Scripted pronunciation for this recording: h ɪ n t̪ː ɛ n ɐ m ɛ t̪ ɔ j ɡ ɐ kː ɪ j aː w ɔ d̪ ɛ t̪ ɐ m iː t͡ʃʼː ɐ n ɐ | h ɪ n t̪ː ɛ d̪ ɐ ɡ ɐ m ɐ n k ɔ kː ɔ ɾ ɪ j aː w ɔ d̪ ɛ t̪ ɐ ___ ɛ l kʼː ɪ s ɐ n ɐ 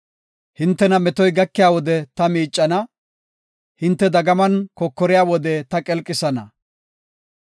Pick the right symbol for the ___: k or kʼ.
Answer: kʼ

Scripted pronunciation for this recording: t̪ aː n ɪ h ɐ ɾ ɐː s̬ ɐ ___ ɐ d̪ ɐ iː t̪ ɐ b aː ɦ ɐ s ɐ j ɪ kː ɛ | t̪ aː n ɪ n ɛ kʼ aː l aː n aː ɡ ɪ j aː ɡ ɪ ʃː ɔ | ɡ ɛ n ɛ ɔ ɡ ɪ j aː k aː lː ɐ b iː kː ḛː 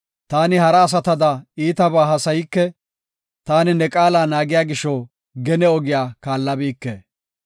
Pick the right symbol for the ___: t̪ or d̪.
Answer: t̪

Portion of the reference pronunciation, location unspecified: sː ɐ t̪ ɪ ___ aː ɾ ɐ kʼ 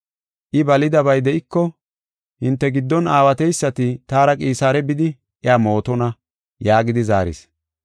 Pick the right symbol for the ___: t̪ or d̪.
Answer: t̪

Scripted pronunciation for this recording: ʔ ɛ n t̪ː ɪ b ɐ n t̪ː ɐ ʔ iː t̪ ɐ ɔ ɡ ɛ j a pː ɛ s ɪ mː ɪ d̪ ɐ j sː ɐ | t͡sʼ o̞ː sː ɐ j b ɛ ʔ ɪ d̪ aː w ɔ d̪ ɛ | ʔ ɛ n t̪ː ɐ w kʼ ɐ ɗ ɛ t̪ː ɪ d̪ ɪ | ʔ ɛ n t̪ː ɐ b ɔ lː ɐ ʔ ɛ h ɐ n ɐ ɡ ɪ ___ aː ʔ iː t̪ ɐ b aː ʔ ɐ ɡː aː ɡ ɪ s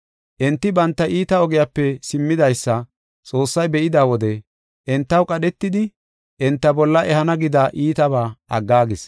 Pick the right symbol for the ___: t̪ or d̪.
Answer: d̪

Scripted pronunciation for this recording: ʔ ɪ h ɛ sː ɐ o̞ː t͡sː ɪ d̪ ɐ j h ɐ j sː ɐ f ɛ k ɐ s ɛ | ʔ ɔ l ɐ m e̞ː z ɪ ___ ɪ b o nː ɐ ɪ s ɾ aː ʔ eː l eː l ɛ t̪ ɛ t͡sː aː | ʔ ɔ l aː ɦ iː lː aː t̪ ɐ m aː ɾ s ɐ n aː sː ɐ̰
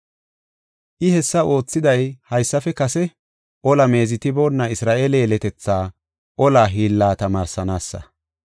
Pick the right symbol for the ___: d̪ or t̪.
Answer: t̪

